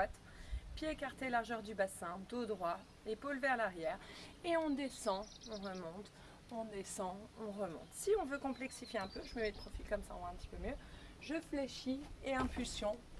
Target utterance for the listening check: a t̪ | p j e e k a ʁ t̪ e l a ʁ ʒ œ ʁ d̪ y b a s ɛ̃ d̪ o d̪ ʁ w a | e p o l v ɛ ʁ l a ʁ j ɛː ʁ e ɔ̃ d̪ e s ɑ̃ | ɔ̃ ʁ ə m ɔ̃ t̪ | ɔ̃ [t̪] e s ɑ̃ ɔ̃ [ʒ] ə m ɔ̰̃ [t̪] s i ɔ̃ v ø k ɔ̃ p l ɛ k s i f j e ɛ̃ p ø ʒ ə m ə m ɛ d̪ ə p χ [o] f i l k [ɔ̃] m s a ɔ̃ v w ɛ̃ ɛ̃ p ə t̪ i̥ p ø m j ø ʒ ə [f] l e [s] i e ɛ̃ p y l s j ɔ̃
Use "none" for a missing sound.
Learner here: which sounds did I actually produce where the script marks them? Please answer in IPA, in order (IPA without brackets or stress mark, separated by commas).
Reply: d̪, ʁ, t̪, ɔ, ɔ, f, ʃ